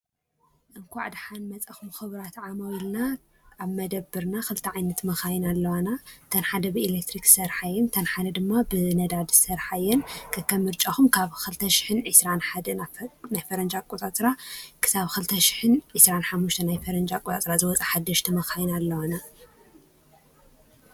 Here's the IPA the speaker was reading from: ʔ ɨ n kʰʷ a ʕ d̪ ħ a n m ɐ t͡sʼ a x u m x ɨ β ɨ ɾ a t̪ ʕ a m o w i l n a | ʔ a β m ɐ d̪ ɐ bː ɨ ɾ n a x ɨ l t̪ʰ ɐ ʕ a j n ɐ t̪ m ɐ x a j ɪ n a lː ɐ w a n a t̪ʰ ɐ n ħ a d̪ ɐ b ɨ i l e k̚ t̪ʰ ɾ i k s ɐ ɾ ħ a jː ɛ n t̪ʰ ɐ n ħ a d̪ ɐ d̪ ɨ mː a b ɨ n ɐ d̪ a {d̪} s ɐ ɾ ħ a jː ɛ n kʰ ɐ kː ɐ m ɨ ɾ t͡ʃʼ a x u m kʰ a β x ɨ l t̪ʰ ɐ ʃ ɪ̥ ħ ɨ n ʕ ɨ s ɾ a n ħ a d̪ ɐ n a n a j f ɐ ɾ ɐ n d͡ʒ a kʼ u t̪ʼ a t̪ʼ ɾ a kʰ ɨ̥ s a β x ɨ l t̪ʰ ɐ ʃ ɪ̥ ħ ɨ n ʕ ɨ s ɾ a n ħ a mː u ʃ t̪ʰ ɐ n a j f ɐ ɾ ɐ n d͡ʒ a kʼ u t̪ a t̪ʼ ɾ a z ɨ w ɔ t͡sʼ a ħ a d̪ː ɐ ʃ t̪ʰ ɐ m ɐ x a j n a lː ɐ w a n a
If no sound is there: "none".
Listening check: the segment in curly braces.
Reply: d̪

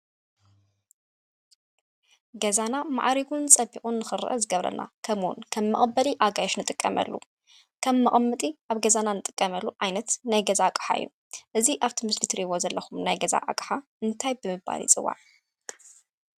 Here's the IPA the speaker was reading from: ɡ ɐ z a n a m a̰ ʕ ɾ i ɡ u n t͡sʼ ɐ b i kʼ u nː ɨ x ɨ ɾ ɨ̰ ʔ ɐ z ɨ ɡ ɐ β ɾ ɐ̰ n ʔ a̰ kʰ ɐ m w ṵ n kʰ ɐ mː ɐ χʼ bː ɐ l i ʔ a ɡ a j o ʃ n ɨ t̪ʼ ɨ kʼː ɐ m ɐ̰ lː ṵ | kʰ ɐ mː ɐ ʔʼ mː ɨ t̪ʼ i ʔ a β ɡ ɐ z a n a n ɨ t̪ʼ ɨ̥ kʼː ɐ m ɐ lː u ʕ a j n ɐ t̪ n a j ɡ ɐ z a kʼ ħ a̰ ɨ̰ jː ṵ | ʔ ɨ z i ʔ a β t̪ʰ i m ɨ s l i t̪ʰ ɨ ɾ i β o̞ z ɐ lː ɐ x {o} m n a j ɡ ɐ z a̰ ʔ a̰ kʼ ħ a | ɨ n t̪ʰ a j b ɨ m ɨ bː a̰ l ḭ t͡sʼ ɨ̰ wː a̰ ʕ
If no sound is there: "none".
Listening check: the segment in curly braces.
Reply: u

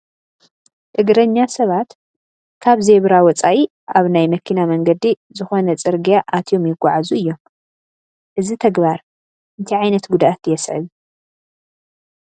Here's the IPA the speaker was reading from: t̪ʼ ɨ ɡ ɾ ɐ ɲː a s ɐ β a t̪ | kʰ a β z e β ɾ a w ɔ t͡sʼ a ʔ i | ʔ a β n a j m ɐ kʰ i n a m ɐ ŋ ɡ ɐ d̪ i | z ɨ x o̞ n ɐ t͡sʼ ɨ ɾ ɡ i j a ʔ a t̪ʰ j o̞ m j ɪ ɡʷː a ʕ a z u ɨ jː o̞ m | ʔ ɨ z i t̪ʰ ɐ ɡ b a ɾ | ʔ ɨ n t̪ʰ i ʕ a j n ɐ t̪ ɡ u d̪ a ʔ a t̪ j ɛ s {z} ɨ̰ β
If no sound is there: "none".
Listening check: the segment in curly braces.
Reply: ʕ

